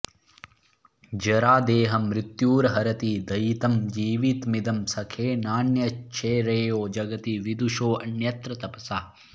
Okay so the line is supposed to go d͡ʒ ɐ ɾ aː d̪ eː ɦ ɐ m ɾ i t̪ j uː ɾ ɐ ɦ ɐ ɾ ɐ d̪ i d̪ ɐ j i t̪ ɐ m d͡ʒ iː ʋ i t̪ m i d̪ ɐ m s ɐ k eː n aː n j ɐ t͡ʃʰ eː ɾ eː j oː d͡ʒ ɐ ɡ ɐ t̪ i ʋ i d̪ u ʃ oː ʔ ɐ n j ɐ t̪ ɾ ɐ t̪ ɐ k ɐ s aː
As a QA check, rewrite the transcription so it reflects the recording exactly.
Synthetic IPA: d͡ʒ ɐ ɾ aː d̪ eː ɦ ɐ m ɾ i t̪ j uː ɾ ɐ ɦ ɐ ɾ ɐ t̪ i d̪ ɐ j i t̪ ɐ m d͡ʒ iː ʋ i t̪ m i d̪ ɐ m s ɐ kʰ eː n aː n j ɐ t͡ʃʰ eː ɾ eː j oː d͡ʒ ɐ ɡ ɐ t̪ i ʋ i d̪ u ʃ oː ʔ ɐ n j ɐ t̪ ɾ ɐ t̪ ɐ p ɐ s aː

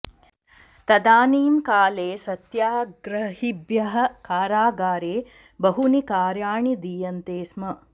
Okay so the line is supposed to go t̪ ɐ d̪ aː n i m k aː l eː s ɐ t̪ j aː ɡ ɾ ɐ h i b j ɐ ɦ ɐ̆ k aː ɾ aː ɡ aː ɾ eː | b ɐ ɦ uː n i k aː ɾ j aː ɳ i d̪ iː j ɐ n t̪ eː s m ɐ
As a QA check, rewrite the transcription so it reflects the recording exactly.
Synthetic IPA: t̪ ɐ d̪ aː n iː m k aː l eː s ɐ t̪ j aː ɡ ɾ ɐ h i b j ɐ ɦ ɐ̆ k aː ɾ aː ɡ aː ɾ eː | b ɐ ɦ u n i k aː ɾ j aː ɳ i d̪ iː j ɐ n t̪ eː s m ɐ

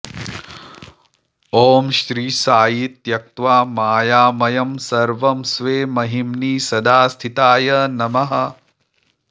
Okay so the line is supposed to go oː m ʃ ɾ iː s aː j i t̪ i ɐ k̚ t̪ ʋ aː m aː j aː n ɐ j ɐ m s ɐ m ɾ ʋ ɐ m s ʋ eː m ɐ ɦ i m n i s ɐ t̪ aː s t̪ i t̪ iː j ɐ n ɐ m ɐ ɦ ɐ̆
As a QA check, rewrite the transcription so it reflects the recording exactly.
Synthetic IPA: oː m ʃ ɾ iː s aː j i t̪ j ɐ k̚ t̪ ʋ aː m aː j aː m ɐ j ɐ m s ɐ ɾ ʋ ɐ m s ʋ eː m ɐ ɦ i m n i s ɐ d̪ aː s t̪ʰ i t̪ aː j ɐ n ɐ m ɐ ɦ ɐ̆

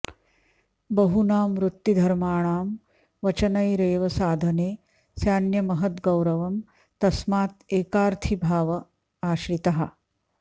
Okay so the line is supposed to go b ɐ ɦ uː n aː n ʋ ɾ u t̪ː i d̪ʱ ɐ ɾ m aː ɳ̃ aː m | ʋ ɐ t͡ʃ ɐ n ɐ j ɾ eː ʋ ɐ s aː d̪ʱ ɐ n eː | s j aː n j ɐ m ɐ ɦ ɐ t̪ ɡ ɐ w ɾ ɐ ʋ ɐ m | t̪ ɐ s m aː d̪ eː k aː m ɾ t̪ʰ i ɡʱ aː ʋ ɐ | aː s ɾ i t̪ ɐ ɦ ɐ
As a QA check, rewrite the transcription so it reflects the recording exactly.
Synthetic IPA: b ɐ ɦ u n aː m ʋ ɾ u t̪ː i d̪ʱ ɐ ɾ m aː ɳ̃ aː m | ʋ ɐ t͡ʃ ɐ n ɐ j ɾ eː ʋ ɐ s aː d̪ʱ ɐ n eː | s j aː n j ɐ m ɐ ɦ ɐ t̪ ɡ ɐ w ɾ ɐ ʋ ɐ m | t̪ ɐ s m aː t̪ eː k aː ɾ t̪ʰ i bʱ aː ʋ ɐ | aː ʃ ɾ i t̪ ɐ ɦ ɐ

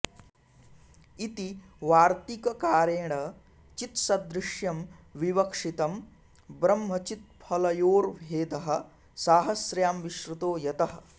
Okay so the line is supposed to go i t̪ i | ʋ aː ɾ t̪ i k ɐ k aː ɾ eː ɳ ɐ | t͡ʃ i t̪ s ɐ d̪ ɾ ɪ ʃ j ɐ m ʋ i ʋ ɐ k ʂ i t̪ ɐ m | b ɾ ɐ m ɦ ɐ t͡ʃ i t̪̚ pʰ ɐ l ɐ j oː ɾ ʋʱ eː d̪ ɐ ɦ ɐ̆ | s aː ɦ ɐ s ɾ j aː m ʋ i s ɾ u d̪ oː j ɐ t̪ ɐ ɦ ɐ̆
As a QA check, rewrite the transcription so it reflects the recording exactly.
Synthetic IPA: i t̪ i | ʋ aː ɾ t̪ i k ɐ k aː ɾ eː ɳ ɐ | t͡ʃ i t̪ s ɐ d̪ ɾ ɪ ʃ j ɐ m ʋ i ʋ ɐ k ʂ i t̪ ɐ m | b ɾ ɐ m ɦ ɐ t͡ʃ i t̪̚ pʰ ɐ l ɐ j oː ɾ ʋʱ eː d̪ ɐ ɦ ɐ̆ | s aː ɦ ɐ s ɾ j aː m ʋ i ʃ ɾ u t̪ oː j ɐ t̪ ɐ ɦ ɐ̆

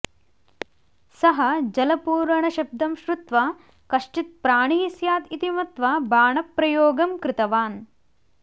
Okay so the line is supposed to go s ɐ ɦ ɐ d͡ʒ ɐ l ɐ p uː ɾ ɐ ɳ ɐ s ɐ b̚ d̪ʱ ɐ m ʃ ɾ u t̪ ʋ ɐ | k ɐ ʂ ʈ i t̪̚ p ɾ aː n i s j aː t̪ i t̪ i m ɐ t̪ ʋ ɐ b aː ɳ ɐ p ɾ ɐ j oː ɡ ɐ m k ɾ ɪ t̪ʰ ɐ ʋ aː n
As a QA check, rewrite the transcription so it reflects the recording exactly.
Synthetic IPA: s ɐ ɦ ɐ d͡ʒ ɐ l ɐ p uː ɾ ɐ ɳ ɐ ʃ ɐ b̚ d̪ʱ ɐ m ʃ ɾ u t̪ ʋ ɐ | k ɐ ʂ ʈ i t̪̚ p ɾ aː ɳ i s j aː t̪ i t̪ i m ɐ t̪ ʋ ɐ b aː ɳ ɐ p ɾ ɐ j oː ɡ ɐ m k ɾ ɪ t̪ ɐ ʋ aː n

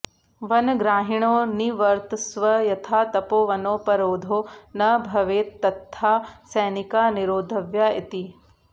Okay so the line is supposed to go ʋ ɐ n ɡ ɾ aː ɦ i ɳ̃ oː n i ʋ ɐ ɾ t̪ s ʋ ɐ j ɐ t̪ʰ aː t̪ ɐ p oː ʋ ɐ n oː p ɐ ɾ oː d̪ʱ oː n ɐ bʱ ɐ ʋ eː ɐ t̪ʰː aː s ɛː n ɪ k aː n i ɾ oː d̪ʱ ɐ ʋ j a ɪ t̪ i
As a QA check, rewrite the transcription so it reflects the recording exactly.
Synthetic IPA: ʋ ɐ n ɡ ɾ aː ɦ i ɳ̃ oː n i ʋ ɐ ɾ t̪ s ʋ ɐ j ɐ t̪ʰ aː t̪ ɐ p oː ʋ ɐ n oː p ɐ ɾ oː d̪ʱ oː n ɐ bʱ ɐ ʋ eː ɐ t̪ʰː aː s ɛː n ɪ k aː n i ɾ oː d̪ʱ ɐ ʋ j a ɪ t̪ i

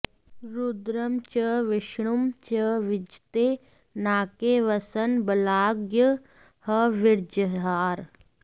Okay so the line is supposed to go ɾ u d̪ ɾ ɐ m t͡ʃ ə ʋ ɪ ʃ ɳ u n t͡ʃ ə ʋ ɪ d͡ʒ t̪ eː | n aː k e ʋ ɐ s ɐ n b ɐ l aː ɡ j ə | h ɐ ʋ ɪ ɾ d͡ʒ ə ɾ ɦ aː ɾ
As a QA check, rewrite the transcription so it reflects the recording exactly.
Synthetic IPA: ɾ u d̪ ɾ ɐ m t͡ʃ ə ʋ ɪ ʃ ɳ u m t͡ʃ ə ʋ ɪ d͡ʒ t̪ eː | n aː k e ʋ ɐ s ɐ n b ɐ l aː ɡ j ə | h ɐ ʋ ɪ ɾ d͡ʒ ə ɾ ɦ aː ɾ

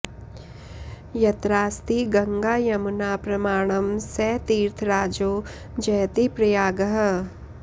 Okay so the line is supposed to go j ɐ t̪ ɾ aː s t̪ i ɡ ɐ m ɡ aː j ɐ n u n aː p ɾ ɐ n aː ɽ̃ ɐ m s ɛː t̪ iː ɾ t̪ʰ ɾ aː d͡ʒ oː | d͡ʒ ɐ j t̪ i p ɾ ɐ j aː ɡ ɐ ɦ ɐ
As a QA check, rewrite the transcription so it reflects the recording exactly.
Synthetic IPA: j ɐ t̪ ɾ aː s t̪ i ɡ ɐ ŋ ɡ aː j ɐ m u n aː p ɾ ɐ m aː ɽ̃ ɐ m s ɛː t̪ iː ɾ t̪ʰ ɾ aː d͡ʒ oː | d͡ʒ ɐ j t̪ i p ɾ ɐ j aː ɡ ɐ ɦ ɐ

